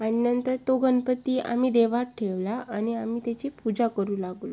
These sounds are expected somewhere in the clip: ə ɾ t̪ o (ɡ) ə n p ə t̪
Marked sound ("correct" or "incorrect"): correct